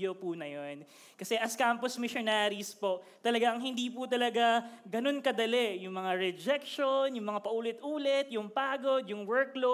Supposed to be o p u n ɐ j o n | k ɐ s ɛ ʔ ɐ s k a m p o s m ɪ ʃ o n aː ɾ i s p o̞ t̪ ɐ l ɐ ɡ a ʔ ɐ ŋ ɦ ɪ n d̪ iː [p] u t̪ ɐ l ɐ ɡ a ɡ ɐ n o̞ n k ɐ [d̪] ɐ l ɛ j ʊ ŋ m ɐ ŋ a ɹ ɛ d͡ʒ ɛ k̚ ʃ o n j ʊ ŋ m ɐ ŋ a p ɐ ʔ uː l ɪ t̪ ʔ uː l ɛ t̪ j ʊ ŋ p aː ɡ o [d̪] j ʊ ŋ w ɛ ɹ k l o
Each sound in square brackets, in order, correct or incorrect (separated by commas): correct, correct, correct